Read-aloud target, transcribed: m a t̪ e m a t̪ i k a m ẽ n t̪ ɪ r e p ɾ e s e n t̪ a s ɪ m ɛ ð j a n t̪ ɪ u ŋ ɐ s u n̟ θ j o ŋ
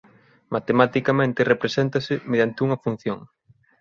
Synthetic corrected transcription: m a t̪ e m a t̪ i k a m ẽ n t̪ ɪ r e p ɾ e s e n t̪ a s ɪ m e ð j a n t̪ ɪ u ŋ ɐ f u n̟ θ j o ŋ